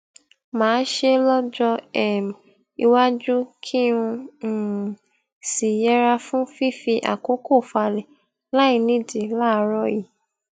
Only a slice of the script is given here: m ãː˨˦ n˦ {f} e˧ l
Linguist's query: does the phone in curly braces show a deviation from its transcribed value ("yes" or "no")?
yes